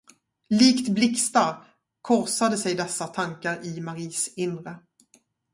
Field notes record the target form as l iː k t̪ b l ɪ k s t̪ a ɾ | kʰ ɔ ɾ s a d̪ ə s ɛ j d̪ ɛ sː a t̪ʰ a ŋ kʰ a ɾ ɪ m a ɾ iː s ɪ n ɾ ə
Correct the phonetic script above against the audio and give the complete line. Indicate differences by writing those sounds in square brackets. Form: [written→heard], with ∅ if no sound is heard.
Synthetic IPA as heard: l iː k t̪ b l ɪ k s t̪ a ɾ | kʰ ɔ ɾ s a d̪ ə s ɛ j d̪ ɛ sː a t̪ʰ a ŋ [kʰ→k] a ɾ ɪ m a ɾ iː s ɪ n ɾ ə